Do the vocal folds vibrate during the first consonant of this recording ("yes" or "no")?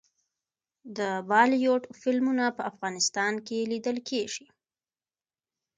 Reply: yes